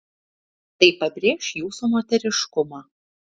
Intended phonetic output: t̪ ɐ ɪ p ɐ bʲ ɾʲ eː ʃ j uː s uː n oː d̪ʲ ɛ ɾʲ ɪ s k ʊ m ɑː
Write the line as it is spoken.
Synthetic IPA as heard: t̪ ɐ ɪ p ɐ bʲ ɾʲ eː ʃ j uː s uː m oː t̪ʲ ɛ ɾʲ ɪ ʃ k ʊ m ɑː